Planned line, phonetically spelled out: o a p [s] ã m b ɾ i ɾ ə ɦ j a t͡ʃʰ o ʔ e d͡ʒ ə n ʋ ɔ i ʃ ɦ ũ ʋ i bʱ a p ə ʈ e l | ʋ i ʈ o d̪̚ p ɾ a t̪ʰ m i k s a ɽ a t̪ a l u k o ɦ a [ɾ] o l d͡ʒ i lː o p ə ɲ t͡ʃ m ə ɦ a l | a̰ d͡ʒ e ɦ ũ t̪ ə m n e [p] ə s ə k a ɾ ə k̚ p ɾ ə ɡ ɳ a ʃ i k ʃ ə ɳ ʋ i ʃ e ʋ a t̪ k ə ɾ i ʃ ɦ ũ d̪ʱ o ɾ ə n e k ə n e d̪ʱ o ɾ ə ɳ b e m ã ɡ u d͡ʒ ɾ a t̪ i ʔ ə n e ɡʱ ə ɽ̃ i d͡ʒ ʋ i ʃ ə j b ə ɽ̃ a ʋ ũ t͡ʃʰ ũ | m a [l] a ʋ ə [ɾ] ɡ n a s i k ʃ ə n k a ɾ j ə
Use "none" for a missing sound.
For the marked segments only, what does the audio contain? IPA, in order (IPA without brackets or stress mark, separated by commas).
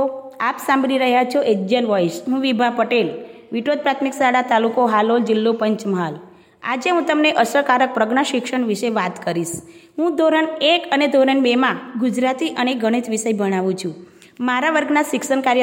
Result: s, l, ʔ, ɾ, ɾ